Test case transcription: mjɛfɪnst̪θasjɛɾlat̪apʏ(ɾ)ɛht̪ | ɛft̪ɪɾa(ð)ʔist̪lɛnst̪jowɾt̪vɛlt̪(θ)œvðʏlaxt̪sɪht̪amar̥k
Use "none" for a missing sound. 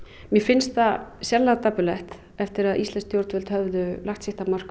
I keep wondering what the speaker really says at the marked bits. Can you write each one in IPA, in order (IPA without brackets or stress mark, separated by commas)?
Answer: l, ð, h